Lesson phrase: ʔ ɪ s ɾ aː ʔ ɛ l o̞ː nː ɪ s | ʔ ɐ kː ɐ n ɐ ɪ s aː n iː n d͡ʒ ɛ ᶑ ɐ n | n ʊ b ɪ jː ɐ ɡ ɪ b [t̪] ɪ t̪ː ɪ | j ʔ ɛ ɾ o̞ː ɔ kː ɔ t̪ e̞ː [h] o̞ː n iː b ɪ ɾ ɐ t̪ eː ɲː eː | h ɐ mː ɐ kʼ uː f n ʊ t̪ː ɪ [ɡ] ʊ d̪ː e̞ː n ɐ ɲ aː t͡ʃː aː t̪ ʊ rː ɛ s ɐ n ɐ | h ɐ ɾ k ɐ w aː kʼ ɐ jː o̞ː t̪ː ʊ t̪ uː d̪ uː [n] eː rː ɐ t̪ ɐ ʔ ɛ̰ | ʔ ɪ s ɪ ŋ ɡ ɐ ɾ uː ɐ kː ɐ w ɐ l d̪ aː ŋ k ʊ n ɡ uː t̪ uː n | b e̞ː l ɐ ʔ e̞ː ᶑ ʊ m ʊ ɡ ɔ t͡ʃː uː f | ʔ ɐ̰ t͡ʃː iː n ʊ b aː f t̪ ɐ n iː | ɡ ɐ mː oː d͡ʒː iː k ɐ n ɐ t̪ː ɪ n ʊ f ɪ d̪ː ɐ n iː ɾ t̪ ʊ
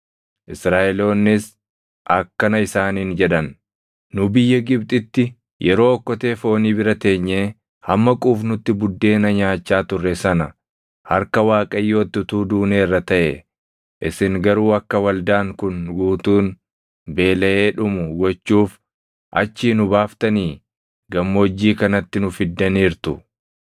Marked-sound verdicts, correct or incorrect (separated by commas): incorrect, incorrect, incorrect, correct